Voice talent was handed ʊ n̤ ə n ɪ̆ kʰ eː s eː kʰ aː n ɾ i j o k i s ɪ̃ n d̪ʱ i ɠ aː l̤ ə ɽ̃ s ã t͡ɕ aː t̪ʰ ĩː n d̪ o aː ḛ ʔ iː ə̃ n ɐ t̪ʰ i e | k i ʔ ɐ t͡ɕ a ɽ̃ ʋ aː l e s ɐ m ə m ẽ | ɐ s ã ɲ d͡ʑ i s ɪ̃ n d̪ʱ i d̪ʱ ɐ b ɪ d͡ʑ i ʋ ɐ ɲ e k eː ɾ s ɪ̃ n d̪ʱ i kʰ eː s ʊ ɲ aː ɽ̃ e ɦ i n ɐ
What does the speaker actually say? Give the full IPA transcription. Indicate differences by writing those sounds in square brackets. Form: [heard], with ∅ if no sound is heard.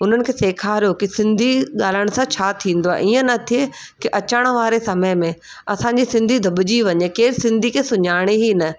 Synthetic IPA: ʊ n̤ ə n ɪ̆ kʰ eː s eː kʰ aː [∅] ɾ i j o k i s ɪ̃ n d̪ʱ i ɠ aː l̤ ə ɽ̃ s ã [t͡ɕʰ] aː t̪ʰ ĩː n d̪ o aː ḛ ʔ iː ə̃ n ɐ t̪ʰ i e | k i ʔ ɐ t͡ɕ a ɽ̃ ʋ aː [ɾ] e s ɐ m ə m ẽ | ɐ s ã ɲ d͡ʑ i s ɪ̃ n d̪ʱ i d̪ʱ ɐ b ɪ d͡ʑ i ʋ ɐ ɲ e k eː ɾ s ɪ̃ n d̪ʱ i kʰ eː s ʊ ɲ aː ɽ̃ e ɦ i n ɐ